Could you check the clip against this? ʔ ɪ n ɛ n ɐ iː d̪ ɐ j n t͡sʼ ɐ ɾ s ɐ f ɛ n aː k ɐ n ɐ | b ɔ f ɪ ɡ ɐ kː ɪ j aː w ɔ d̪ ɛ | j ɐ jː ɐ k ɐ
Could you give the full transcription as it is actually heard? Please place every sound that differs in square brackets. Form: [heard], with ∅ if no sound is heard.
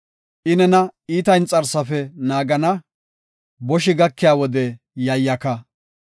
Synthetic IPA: ʔ ɪ n ɛ n ɐ iː [t̪] ɐ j n t͡sʼ ɐ ɾ s ɐ f ɛ n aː [ɡ] ɐ n ɐ | b ɔ [ʃ] ɪ ɡ ɐ kː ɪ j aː w ɔ d̪ ɛ | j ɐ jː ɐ k ɐ

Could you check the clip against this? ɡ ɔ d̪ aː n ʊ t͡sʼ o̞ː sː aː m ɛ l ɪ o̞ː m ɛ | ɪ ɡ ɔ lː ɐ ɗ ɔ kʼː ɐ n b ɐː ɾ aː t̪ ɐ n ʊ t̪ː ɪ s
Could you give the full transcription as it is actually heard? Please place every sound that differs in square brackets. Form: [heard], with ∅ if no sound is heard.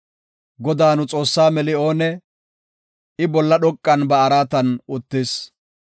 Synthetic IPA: ɡ ɔ d̪ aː n ʊ t͡sʼ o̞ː sː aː m ɛ l ɪ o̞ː [n] ɛ | ɪ [b] ɔ lː ɐ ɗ ɔ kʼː ɐ n b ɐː ɾ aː t̪ ɐ n ʊ t̪ː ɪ s

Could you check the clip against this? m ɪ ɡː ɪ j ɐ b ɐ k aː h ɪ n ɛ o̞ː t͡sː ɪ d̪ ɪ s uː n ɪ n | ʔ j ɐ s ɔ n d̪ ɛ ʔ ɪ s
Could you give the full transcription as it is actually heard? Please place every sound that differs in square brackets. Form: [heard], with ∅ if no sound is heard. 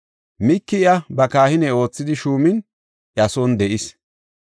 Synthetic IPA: m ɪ [kː] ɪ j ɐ b ɐ k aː h ɪ n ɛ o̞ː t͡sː ɪ d̪ ɪ [ʃ] uː [m] ɪ n | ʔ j ɐ s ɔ n d̪ ɛ ʔ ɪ s

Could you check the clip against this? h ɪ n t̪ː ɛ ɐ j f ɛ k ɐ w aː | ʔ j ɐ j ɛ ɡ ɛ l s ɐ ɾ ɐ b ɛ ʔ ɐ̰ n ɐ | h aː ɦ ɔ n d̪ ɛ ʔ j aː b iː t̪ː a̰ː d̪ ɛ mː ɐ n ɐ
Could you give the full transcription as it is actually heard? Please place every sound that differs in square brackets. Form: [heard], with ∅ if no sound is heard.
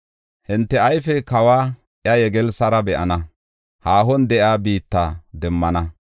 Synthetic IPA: h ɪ n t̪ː ɛ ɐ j f ɛ k ɐ w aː | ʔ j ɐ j ɛ ɡ ɛ l s ɐ ɾ ɐ b ɛ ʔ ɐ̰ n ɐ | h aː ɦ ɔ n d̪ ɛ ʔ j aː b iː t̪ː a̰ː d̪ ɛ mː ɐ n ɐ

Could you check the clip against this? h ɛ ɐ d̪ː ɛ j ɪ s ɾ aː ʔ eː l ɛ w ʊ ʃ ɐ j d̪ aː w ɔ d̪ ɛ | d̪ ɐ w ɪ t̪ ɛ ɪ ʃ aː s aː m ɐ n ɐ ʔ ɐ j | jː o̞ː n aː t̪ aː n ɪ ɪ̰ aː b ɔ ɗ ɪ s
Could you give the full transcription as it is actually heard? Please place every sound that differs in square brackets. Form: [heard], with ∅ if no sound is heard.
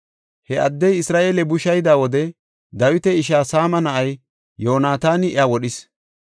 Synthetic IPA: h ɛ ɐ d̪ː ɛ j ɪ s ɾ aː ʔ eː l ɛ [b] ʊ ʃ ɐ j d̪ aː w ɔ d̪ ɛ | d̪ ɐ w ɪ t̪ ɛ ɪ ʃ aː s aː m ɐ n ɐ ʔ ɐ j | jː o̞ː n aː t̪ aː n ɪ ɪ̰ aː [w] ɔ ɗ ɪ s

